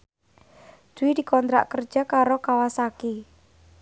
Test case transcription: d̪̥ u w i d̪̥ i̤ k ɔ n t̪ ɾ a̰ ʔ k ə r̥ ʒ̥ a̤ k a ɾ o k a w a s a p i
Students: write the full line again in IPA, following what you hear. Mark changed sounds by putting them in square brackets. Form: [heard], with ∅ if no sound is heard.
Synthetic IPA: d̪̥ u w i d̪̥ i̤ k ɔ n t̪ ɾ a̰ ʔ k ə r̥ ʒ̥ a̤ k a ɾ o k a w a s a [k] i